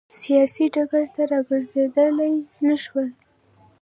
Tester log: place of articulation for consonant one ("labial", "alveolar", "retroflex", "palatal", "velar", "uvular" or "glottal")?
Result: alveolar